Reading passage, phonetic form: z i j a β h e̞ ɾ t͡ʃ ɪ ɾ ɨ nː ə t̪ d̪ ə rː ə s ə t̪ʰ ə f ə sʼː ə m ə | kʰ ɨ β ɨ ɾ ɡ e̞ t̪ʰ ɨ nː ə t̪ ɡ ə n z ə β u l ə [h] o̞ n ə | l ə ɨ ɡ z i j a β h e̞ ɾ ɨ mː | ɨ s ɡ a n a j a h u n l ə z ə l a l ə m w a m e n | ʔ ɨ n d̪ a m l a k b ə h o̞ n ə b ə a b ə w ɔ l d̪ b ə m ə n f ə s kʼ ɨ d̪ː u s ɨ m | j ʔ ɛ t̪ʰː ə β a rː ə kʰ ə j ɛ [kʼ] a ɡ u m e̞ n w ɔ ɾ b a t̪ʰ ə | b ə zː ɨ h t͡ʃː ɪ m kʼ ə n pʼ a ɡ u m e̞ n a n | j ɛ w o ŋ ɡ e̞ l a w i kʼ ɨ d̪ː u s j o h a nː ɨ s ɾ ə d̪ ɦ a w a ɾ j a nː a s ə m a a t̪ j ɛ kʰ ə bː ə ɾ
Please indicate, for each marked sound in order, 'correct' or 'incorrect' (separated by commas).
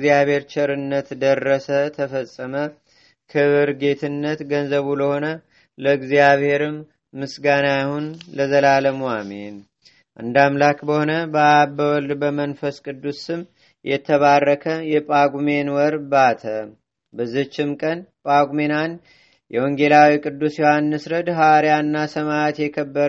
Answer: correct, incorrect